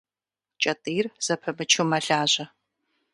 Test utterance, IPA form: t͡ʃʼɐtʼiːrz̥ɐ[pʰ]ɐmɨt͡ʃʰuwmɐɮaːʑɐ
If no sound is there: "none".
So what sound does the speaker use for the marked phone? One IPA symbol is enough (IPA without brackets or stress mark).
pʰ